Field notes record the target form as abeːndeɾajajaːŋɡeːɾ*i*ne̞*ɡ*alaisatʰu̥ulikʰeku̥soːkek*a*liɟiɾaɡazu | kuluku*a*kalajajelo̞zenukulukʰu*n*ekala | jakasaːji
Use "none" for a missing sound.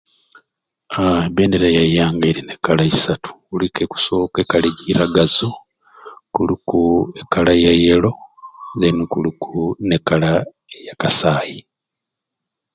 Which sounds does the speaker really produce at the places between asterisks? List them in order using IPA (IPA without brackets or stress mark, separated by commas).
i, k, a, e, n